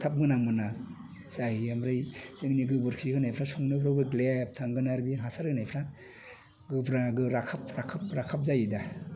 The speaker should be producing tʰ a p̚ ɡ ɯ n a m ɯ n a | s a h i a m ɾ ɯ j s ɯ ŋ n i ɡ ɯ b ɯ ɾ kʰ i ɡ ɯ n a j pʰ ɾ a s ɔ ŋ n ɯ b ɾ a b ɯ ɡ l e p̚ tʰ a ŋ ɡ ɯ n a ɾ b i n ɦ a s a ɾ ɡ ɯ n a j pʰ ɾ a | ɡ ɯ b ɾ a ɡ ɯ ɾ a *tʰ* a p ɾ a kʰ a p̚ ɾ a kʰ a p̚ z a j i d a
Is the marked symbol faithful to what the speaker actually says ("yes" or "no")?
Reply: no